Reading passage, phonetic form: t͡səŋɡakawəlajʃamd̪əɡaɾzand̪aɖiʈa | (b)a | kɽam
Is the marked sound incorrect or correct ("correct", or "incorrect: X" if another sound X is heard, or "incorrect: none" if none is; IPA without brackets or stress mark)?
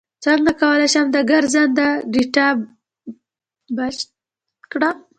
correct